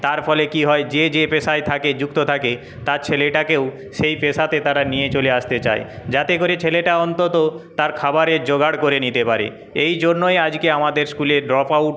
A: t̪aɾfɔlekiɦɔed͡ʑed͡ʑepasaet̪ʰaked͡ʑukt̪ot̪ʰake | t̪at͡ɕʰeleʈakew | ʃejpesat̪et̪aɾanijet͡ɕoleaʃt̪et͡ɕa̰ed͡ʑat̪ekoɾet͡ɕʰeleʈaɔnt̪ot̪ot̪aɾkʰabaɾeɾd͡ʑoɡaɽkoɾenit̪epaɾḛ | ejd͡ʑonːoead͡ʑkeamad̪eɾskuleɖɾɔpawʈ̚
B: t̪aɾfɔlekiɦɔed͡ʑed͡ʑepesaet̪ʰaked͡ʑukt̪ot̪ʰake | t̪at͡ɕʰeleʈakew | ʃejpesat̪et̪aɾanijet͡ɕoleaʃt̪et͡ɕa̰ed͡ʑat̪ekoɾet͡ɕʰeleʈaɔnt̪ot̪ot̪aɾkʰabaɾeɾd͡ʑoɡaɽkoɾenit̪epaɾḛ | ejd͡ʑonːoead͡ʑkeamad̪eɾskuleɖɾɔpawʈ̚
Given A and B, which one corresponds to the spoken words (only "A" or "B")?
B